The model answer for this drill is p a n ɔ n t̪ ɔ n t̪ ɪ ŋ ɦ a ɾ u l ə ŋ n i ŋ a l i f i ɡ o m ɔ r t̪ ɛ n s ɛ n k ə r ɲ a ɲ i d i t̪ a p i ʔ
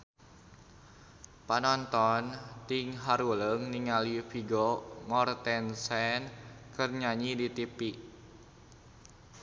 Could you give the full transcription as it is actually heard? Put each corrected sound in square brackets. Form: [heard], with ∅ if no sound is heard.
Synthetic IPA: p a n ɔ n t̪ ɔ n t̪ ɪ ŋ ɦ a ɾ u l ə ŋ n i ŋ a l i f i ɡ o m ɔ r t̪ ɛ n s ɛ n k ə r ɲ a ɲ i d i t̪ [i] p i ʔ